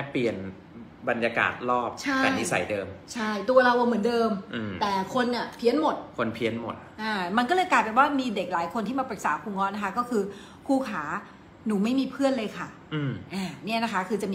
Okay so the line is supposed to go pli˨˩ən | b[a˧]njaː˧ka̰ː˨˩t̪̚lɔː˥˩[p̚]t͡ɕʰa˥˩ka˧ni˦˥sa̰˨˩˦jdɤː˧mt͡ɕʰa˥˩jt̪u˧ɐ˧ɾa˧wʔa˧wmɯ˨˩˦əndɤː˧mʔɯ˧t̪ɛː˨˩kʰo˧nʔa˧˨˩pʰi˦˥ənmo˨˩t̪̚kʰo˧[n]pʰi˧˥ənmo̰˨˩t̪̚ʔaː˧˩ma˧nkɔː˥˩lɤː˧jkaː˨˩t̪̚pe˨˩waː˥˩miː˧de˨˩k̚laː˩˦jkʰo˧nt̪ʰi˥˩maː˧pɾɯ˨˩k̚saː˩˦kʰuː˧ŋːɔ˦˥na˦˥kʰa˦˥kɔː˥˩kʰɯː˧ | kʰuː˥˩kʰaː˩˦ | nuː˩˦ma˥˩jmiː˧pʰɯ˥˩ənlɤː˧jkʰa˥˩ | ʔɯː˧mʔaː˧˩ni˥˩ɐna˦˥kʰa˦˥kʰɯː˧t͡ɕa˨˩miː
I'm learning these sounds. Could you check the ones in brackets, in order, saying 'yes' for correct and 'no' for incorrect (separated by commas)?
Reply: yes, yes, yes